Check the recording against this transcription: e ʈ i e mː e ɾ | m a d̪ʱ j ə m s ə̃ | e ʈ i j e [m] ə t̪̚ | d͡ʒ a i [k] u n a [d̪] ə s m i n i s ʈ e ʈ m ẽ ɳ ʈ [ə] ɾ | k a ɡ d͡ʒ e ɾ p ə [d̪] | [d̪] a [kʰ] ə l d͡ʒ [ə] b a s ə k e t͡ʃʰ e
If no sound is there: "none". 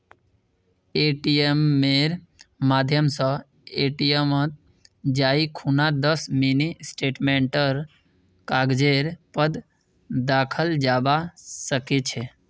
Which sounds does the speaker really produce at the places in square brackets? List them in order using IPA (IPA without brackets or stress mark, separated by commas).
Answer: m, kʰ, d̪, ə, d̪, d̪, kʰ, a